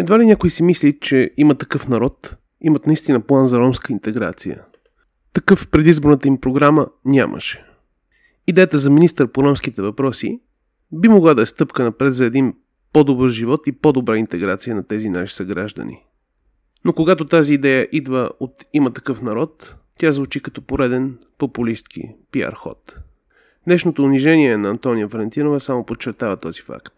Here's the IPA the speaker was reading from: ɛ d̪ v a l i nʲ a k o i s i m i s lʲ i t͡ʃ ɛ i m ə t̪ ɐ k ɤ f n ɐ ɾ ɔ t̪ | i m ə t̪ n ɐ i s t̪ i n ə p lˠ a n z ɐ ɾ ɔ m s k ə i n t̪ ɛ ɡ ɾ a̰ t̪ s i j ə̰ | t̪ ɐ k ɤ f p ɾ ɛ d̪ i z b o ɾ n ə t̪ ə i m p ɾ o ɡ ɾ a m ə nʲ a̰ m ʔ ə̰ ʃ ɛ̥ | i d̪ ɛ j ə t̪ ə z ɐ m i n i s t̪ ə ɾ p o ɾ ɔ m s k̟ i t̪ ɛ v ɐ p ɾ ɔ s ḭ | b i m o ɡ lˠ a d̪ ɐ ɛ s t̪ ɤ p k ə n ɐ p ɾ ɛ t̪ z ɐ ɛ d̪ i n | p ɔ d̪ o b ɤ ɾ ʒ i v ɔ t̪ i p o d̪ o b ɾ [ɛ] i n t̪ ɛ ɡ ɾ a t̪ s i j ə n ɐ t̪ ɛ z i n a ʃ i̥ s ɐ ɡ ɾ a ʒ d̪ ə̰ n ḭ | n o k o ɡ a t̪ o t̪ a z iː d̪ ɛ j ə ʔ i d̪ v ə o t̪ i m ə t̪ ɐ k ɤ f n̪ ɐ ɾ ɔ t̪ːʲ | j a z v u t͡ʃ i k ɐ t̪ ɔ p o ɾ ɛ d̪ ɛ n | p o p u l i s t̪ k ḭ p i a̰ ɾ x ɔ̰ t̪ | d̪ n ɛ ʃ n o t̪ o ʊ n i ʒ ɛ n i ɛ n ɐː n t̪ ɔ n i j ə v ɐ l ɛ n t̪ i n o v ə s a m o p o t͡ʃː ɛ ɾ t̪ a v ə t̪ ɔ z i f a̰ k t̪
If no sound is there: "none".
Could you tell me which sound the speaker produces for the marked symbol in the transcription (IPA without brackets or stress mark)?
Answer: a